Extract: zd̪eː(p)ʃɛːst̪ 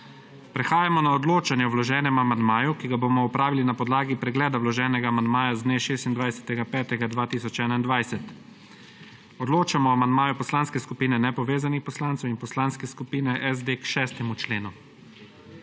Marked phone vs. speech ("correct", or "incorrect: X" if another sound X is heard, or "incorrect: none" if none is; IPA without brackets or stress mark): incorrect: k